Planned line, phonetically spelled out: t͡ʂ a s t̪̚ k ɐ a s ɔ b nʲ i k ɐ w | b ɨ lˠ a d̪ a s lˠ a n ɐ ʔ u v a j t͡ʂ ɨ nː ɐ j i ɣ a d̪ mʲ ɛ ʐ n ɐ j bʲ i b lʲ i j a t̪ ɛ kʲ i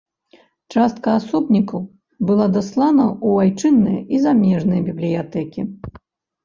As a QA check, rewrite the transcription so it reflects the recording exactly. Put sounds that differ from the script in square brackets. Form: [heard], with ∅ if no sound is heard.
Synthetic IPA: t͡ʂ a s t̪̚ k ɐ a s ɔ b nʲ i k ɐ w | b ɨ lˠ a d̪ a s lˠ a n ɐ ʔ u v a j t͡ʂ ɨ nː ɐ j i [z] a [∅] mʲ ɛ ʐ n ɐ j bʲ i b lʲ i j a t̪ ɛ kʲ i